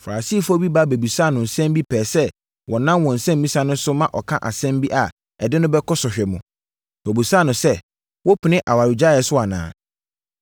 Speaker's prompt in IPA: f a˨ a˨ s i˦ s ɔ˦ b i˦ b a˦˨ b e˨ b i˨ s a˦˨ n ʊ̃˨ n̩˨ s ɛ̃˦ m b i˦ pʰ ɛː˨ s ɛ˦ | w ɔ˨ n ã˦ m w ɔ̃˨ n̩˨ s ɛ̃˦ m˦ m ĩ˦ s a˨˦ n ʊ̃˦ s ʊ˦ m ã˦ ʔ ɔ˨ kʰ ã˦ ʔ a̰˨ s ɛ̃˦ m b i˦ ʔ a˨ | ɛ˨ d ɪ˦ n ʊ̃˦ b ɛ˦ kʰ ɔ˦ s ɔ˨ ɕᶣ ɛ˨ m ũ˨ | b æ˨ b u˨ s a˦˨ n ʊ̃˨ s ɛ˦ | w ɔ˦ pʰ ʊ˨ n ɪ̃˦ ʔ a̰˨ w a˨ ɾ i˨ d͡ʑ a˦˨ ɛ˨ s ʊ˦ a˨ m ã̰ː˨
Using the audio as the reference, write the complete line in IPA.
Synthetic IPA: f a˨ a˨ s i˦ f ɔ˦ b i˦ b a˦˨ b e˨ b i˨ s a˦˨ n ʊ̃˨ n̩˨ s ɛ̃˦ m b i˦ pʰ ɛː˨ s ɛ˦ | w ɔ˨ n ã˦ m w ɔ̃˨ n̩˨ s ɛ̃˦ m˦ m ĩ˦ s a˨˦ n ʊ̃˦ s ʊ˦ m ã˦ ʔ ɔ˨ kʰ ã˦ ʔ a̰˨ s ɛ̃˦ m b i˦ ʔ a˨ | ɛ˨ d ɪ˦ n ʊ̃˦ b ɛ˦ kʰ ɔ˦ s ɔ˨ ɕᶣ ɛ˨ m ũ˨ | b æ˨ b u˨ s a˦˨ n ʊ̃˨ s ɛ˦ | w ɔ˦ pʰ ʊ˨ n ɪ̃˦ ʔ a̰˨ w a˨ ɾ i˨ d͡ʑ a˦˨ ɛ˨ s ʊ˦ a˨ n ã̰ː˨